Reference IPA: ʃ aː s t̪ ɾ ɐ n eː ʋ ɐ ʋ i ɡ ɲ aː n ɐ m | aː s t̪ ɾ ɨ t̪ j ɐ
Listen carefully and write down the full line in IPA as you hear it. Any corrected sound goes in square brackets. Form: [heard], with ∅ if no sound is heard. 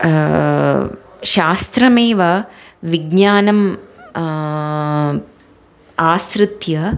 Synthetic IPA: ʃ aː s t̪ ɾ ɐ [m] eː ʋ ɐ ʋ i ɡ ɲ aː n ɐ m | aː s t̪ ɾ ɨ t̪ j ɐ